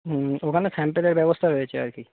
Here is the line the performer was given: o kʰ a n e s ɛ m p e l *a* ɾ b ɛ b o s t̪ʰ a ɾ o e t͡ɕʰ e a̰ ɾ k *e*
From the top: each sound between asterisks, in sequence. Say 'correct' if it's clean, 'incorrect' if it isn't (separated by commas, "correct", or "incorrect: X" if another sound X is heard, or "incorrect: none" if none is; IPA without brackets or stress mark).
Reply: incorrect: e, incorrect: i